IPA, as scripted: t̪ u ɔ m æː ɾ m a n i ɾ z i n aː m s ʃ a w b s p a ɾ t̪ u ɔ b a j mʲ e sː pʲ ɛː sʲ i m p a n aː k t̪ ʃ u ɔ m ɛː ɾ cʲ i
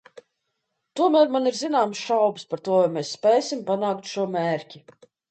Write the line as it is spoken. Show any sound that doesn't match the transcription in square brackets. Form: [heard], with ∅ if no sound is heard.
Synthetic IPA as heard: t̪ u ɔ m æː ɾ m a n i ɾ z i n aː m s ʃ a w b s p a ɾ t̪ u ɔ [v] a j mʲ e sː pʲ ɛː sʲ i m p a n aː k t̪ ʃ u ɔ m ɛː ɾ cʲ i